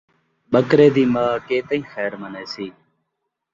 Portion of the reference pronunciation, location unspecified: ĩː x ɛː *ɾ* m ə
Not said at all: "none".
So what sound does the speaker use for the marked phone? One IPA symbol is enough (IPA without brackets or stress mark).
ɾ